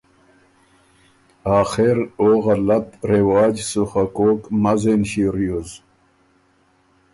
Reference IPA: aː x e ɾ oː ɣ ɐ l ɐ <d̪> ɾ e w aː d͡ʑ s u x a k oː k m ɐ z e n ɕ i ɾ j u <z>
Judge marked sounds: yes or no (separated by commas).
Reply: no, yes